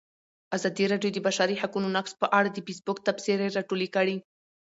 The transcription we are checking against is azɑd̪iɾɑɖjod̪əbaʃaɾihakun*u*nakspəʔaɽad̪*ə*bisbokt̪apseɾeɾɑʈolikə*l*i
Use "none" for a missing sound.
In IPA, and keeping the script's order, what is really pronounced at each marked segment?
o, ə, ɽ

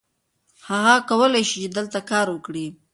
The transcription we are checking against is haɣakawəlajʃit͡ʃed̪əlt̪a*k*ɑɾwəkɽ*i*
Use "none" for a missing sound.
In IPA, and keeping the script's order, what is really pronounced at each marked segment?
k, i

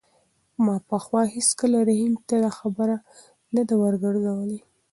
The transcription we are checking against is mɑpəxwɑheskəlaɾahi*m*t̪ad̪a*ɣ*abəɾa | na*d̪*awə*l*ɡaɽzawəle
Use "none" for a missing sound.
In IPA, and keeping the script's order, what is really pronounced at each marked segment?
m, x, d̪, ɾ

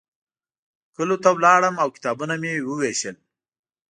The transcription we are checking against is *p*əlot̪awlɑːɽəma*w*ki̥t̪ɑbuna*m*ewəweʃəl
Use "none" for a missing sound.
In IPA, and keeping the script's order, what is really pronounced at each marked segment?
k, w, m

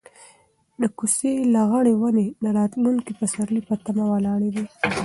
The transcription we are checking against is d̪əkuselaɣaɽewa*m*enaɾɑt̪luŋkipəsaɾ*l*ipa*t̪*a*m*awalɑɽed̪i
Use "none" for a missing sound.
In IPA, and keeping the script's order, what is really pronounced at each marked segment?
n, l, t̪, m

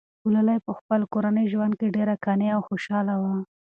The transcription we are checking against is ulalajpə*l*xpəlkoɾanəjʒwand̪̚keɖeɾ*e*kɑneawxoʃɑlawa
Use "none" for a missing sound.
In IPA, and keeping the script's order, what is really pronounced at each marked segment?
none, a

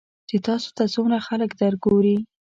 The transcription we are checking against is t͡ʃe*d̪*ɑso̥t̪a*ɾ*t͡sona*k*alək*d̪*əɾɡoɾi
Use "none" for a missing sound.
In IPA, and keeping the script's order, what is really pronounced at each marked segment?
t̪, none, x, d̪

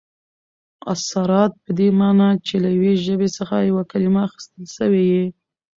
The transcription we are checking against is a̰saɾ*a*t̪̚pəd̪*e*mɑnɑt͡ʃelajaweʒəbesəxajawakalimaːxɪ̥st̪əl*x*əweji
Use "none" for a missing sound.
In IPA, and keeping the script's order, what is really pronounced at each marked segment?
ɑ, e, ʃ

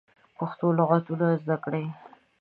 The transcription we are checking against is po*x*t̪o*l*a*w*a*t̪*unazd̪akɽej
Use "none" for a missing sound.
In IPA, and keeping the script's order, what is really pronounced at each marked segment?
x, l, ɣ, t̪

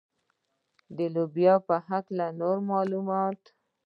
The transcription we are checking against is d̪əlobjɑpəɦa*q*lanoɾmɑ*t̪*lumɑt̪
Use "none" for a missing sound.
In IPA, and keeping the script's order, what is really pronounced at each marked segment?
k, none

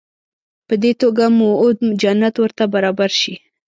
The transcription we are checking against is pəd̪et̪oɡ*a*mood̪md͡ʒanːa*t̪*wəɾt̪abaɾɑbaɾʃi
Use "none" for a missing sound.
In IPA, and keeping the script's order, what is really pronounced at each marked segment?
a, t̪

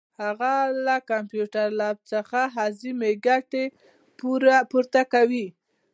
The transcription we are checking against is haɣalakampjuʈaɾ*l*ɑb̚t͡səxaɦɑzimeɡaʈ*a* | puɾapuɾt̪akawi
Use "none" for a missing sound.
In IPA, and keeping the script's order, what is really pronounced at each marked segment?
l, e

